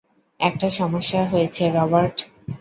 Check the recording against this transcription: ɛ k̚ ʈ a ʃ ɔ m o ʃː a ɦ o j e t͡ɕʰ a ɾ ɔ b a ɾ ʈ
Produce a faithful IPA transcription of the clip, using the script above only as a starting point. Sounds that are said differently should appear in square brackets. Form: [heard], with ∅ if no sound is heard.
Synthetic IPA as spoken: ɛ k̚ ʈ a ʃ ɔ m o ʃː a ɦ o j e t͡ɕʰ [e] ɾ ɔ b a ɾ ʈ